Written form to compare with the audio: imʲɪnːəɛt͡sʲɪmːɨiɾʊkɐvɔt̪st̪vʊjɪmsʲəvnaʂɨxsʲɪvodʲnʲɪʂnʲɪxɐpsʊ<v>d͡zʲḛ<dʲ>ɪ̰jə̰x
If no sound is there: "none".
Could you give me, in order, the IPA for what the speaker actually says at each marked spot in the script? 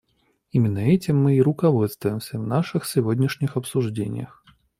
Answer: ʐ, nʲ

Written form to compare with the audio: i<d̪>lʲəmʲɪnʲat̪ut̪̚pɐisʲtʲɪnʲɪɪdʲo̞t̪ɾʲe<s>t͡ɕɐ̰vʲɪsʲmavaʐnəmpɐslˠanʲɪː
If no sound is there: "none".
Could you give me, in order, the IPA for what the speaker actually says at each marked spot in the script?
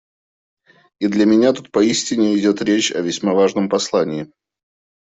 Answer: d̪, none

